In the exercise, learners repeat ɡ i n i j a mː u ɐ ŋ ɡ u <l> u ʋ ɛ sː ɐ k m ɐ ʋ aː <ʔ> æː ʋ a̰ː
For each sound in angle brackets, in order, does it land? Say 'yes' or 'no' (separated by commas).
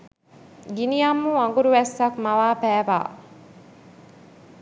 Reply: no, no